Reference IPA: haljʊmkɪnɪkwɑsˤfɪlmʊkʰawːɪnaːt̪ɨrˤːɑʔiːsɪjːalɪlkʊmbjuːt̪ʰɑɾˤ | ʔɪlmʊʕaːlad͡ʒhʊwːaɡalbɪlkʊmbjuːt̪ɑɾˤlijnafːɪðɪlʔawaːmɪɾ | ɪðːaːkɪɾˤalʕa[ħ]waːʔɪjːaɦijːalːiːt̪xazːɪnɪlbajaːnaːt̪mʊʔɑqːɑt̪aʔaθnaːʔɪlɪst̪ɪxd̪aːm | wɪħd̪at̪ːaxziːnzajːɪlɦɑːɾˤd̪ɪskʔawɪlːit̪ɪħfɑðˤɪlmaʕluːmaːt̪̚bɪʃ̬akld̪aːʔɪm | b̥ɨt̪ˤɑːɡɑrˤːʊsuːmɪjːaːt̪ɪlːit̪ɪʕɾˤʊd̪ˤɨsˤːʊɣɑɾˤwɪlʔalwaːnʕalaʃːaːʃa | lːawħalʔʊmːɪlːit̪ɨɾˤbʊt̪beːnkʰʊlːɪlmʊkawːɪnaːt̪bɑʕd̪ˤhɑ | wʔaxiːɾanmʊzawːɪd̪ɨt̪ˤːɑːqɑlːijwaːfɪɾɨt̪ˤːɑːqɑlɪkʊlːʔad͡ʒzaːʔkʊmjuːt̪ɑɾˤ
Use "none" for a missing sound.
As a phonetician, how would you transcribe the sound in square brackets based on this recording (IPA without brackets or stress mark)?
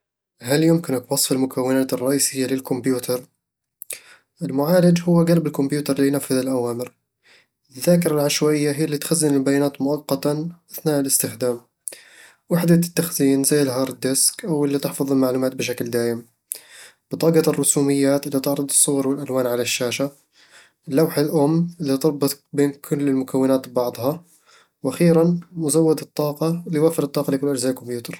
ʃ